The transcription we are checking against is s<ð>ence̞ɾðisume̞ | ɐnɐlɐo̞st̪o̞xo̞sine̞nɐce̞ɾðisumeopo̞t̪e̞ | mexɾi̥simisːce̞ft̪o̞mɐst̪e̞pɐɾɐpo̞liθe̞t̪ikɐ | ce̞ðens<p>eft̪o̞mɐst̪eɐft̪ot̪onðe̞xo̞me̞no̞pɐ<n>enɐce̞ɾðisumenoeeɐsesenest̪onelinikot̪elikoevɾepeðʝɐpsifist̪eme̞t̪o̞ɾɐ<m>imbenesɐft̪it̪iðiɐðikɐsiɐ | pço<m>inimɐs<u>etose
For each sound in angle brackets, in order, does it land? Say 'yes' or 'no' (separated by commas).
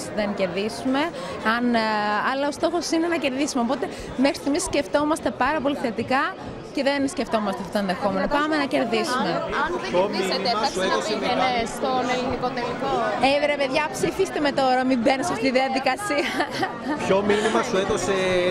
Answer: yes, no, no, yes, yes, yes